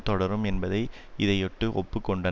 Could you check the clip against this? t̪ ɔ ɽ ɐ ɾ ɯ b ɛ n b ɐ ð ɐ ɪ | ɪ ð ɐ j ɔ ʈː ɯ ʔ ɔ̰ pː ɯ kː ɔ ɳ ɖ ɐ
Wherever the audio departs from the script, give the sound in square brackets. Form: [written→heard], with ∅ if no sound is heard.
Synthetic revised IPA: t̪ ɔ ɽ ɐ ɾ ɯ [b→m] ɛ n b ɐ ð ɐ ɪ | ɪ ð ɐ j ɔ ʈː ɯ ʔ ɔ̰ pː ɯ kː ɔ ɳ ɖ ɐ